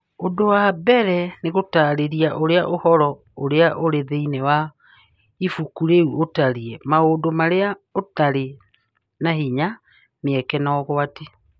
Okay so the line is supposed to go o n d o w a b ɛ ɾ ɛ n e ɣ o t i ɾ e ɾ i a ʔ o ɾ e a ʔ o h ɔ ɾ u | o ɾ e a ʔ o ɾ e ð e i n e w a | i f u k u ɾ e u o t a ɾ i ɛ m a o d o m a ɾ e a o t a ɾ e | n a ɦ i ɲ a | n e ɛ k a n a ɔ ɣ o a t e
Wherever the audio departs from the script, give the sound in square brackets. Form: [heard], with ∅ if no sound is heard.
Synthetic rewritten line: o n d o w a b ɛ ɾ ɛ n e ɣ o t [a] ɾ e ɾ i a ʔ o ɾ e a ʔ o h ɔ ɾ [ɔ] | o ɾ e a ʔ o ɾ e ð e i n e w a | i f u k u ɾ e u o t a ɾ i ɛ m a o d o m a ɾ e a o t a ɾ e | n a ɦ i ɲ a | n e ɛ k [ɛ] n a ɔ ɣ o a t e